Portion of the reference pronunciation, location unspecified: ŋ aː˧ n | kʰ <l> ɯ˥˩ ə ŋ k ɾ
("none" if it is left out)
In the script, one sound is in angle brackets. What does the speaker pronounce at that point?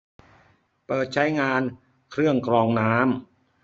ɾ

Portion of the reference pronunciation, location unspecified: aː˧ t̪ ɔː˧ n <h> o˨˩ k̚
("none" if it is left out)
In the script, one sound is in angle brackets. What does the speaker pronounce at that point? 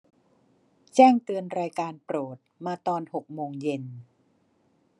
h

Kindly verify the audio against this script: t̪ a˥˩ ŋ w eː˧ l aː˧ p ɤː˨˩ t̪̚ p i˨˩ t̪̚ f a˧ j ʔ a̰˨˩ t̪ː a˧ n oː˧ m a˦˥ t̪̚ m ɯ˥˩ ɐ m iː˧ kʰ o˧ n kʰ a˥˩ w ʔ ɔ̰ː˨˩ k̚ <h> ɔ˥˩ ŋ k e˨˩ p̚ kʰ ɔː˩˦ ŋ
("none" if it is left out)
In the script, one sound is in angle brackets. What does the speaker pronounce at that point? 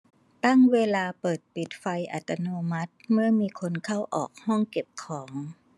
h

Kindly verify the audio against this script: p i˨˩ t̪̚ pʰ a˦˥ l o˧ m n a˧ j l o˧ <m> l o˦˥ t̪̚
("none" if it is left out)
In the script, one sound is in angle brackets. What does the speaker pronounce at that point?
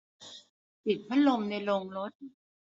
ŋ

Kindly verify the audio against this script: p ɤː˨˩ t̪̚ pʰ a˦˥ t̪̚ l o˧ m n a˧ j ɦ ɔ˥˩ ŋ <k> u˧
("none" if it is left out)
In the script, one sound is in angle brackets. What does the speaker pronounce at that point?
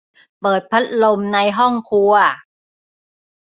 kʰ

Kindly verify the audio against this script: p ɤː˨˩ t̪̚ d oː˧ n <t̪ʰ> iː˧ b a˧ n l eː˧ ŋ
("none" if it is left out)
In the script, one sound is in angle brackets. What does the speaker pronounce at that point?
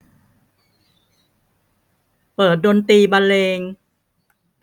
t̪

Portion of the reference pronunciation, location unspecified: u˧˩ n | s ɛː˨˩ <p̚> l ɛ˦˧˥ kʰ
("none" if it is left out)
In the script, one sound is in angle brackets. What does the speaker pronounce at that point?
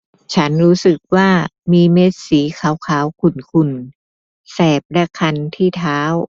p̚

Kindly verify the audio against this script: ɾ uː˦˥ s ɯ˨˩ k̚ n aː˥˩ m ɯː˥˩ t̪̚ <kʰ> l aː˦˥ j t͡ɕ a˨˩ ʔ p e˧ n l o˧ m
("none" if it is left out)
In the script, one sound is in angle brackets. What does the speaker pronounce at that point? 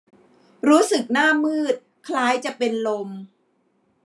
kʰ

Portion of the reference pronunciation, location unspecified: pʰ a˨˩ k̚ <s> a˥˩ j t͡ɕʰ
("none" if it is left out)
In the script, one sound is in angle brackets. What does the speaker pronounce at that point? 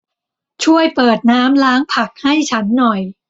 h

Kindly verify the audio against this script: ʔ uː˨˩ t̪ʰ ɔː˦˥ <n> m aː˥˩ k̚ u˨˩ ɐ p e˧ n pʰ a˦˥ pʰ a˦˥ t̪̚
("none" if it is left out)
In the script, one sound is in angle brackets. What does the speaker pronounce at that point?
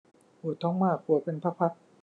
ŋ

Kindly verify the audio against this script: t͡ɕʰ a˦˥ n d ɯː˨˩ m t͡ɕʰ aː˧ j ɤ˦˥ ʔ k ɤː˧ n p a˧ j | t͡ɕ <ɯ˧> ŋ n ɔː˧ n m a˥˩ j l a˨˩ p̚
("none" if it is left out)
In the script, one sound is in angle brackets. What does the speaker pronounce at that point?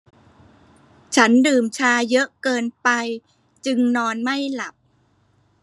ɯ˧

